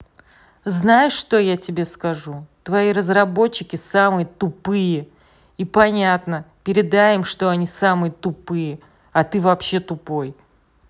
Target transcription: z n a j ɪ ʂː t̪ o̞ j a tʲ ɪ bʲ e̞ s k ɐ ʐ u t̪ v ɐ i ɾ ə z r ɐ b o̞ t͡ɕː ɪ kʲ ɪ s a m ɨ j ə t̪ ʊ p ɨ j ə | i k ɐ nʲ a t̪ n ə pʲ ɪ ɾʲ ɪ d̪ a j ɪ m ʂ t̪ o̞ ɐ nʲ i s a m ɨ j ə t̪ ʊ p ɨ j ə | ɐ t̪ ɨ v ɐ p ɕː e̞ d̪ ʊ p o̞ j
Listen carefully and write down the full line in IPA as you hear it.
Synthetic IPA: z n a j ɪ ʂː t̪ o̞ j a tʲ ɪ bʲ e̞ s k ɐ ʐ u t̪ v ɐ i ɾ ə z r ɐ b o̞ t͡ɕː ɪ kʲ ɪ s a m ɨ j ə t̪ ʊ p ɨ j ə | i p ɐ nʲ a t̪ n ə pʲ ɪ ɾʲ ɪ d̪ a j ɪ m ʂ t̪ o̞ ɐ nʲ i s a m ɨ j ə t̪ ʊ p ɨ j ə | ɐ t̪ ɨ v ɐ p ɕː e̞ t̪ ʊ p o̞ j